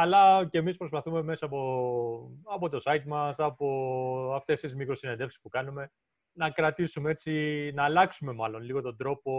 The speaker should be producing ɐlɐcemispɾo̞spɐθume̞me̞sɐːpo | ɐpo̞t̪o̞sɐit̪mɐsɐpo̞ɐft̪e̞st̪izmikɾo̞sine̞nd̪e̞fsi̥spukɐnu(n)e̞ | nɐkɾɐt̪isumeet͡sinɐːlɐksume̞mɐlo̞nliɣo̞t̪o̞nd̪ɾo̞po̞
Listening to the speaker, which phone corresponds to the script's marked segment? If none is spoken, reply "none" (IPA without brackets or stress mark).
m